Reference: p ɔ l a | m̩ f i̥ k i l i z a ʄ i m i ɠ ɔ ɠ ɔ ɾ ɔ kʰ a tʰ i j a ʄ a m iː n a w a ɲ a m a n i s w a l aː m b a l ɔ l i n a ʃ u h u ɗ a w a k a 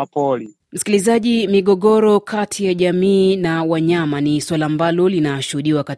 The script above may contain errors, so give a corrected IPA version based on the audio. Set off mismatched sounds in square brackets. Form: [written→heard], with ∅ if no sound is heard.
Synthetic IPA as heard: p ɔ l [a→i] | m̩ [f→s] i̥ k i l i z a ʄ i m i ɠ ɔ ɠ ɔ ɾ ɔ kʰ a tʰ i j a ʄ a m iː n a w a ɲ a m a n i s w a l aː m b a l ɔ l i n a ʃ u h u ɗ [a→i] w a k a